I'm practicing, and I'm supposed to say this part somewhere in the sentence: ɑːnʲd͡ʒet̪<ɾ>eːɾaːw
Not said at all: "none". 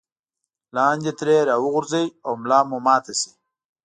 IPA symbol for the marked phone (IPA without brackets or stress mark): ɾ